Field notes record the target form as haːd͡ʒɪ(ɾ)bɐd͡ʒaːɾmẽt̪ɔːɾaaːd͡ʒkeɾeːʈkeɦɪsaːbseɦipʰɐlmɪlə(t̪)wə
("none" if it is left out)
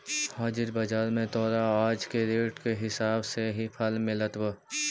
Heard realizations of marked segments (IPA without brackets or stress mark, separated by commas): ɾ, t̪